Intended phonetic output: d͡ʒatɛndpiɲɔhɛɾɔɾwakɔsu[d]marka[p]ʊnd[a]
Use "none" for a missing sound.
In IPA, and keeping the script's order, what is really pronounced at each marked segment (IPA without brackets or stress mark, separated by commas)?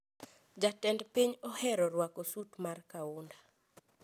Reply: t, none, a